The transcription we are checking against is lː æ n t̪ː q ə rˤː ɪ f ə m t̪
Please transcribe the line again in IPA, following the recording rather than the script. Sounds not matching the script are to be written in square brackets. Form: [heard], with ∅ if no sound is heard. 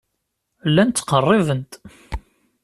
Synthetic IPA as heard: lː æ n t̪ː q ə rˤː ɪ [v] ə [n] t̪